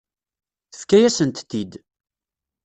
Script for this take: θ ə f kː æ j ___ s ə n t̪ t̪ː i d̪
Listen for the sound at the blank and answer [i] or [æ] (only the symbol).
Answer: æ